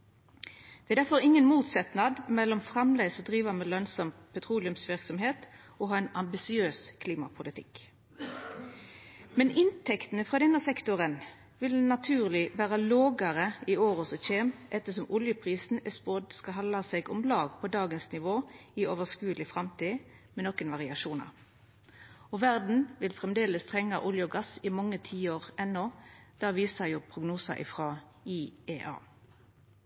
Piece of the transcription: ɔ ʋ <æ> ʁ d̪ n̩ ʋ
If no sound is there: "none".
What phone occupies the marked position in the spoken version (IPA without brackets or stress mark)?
æ